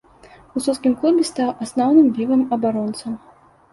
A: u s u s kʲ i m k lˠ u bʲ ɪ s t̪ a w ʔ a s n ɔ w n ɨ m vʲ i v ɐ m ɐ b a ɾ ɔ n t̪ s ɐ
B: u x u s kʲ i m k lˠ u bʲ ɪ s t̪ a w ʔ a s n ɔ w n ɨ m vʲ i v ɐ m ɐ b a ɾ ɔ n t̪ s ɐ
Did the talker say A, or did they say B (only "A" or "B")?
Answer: A